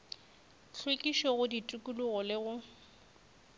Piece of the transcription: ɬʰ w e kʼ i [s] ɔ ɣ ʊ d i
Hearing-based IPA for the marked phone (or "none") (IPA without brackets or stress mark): ʃ